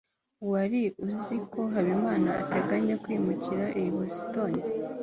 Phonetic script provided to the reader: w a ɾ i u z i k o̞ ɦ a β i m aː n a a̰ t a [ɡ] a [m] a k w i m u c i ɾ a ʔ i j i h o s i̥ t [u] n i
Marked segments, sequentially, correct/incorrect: correct, incorrect, incorrect

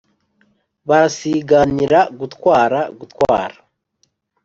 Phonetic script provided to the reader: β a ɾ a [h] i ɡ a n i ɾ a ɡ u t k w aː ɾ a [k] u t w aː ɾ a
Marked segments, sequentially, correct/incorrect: incorrect, incorrect

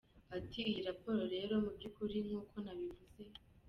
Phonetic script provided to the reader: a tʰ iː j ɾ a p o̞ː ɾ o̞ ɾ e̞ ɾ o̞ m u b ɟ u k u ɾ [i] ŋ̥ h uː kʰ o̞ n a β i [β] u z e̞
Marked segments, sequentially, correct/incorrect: correct, incorrect

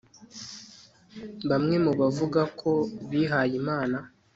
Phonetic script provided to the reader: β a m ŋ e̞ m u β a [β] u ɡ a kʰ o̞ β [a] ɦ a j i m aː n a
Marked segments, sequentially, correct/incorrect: incorrect, incorrect

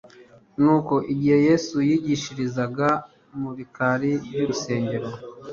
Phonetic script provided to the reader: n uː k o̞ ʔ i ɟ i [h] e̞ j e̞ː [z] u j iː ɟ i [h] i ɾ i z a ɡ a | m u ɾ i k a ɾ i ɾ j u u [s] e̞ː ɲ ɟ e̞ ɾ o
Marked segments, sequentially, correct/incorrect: correct, incorrect, incorrect, correct

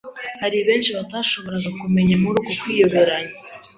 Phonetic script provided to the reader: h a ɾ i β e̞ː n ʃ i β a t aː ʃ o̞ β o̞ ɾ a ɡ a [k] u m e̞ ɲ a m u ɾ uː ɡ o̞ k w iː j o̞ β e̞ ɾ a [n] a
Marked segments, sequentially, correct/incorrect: correct, incorrect

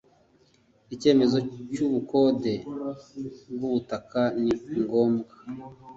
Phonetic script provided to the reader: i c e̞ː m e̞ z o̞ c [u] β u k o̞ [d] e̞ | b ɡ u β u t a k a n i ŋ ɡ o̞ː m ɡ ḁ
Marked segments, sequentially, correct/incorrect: correct, correct

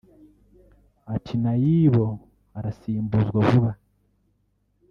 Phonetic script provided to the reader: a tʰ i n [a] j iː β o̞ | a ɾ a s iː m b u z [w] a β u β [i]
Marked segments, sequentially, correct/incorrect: correct, correct, incorrect

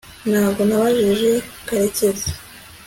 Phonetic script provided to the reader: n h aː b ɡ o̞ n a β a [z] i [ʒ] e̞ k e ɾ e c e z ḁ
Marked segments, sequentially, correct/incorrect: incorrect, correct

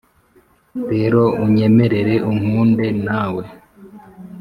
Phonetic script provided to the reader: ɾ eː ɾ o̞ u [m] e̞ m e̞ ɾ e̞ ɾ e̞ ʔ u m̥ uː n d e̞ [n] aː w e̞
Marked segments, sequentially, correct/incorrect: incorrect, correct

